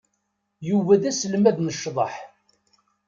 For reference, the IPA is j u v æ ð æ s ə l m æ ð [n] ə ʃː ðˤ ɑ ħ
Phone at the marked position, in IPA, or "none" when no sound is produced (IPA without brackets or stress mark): n